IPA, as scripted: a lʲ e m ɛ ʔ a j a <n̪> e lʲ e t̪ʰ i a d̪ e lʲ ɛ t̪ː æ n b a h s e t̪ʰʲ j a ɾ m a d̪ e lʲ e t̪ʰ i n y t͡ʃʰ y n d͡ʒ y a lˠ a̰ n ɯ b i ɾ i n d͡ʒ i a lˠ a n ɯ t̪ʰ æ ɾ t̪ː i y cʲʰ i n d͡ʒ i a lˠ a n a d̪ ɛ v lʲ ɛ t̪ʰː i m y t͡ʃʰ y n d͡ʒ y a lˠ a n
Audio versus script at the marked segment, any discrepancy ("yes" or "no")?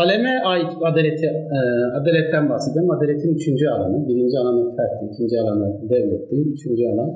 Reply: yes